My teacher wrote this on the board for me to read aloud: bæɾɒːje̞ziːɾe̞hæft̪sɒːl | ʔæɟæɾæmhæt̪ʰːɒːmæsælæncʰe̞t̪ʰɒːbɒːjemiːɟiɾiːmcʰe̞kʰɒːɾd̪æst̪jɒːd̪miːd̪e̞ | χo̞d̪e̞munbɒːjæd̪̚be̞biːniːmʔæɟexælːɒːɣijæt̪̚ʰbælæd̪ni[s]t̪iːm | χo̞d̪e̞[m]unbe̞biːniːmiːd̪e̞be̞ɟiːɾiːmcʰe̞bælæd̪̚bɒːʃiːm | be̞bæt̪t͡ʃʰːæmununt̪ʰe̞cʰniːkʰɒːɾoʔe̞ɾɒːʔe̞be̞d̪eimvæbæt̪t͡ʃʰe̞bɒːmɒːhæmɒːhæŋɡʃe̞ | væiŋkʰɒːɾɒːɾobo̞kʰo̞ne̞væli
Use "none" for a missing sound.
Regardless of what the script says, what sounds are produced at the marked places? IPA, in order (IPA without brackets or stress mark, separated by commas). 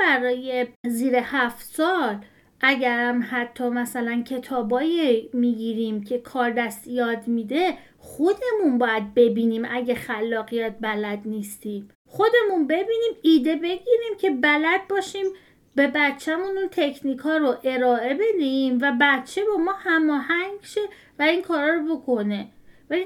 s, m